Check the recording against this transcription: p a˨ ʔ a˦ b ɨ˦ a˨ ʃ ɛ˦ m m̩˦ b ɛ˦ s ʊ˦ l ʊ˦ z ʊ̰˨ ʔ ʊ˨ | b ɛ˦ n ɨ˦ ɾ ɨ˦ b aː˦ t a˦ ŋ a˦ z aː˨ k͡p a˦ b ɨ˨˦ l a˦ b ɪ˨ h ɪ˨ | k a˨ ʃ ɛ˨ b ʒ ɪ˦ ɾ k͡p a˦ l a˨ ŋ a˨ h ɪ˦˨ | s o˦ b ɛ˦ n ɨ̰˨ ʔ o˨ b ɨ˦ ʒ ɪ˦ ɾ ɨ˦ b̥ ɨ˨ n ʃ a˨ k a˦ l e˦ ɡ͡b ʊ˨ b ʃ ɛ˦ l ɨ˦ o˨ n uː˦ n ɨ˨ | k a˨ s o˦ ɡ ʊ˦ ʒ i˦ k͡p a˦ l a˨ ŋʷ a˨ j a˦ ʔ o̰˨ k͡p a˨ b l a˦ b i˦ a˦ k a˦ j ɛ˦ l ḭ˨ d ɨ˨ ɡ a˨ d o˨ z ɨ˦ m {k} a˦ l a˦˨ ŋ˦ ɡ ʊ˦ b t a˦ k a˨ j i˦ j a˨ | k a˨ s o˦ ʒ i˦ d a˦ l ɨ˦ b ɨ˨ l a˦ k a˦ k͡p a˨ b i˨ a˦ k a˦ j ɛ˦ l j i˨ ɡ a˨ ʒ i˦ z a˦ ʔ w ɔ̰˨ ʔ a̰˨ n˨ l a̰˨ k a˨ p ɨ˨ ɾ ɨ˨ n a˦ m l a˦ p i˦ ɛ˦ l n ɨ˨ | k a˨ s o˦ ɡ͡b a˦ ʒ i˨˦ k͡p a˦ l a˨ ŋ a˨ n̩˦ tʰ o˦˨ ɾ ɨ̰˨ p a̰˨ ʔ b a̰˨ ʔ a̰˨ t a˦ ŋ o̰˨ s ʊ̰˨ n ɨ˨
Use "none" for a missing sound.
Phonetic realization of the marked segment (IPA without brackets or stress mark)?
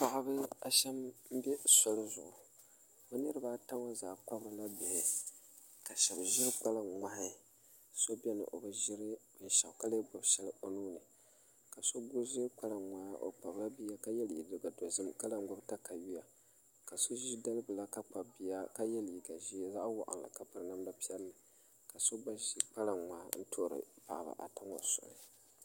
k